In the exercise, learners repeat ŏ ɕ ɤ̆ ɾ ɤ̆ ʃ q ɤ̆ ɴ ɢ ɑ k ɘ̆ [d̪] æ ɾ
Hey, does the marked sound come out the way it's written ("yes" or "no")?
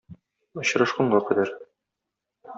yes